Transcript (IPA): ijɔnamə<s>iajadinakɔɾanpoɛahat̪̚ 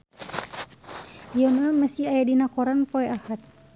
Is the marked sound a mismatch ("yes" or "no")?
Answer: no